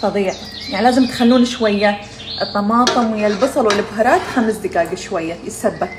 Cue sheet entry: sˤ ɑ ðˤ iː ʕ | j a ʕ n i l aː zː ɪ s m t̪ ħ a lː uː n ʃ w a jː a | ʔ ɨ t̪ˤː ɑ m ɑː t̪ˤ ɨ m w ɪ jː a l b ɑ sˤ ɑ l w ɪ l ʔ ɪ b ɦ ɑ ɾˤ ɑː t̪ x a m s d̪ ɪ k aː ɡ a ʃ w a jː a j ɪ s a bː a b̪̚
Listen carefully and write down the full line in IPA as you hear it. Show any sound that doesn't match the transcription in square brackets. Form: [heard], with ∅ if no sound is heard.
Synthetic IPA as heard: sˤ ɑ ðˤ iː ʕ | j a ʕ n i l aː [z] ɪ [∅] m t̪ [x] a lː uː n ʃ w a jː a | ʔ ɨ t̪ˤː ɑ m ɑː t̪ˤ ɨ m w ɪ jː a l b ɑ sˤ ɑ l w ɪ l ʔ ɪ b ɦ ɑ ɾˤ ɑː t̪ x a m s d̪ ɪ k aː ɡ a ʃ w a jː a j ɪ s a bː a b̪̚